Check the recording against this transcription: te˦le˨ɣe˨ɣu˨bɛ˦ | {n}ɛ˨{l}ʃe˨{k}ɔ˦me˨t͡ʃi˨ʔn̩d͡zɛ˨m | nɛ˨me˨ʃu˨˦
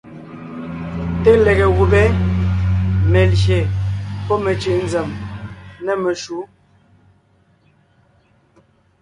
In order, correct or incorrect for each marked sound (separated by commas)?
incorrect, correct, incorrect